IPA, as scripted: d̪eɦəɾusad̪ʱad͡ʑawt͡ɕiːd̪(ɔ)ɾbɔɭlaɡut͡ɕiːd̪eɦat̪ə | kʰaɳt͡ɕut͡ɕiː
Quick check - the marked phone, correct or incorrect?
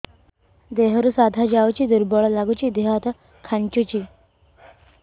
incorrect